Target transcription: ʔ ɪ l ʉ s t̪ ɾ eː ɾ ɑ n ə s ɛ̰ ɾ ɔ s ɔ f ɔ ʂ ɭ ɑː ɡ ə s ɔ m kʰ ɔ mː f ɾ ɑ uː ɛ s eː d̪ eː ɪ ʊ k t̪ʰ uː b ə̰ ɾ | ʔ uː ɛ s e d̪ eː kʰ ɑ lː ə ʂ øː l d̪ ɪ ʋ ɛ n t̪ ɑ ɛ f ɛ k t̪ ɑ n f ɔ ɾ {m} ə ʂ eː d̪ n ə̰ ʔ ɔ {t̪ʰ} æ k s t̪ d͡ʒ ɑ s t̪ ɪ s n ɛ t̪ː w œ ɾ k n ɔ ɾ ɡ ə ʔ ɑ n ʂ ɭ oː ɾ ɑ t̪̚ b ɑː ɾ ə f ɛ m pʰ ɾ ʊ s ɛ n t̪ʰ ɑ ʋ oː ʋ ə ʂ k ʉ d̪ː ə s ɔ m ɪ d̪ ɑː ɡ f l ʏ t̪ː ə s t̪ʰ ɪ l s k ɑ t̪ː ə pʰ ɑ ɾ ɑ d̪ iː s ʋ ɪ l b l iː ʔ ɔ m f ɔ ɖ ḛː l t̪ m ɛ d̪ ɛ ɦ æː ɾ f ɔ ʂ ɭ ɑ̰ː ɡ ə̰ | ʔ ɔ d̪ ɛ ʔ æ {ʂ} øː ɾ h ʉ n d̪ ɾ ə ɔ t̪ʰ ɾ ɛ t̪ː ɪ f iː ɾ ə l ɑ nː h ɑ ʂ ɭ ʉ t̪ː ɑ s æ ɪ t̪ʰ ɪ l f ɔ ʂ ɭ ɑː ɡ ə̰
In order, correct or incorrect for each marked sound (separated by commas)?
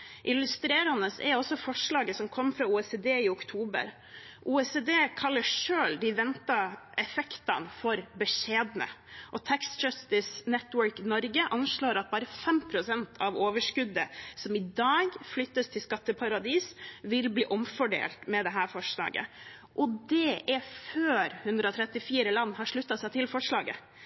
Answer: incorrect, correct, incorrect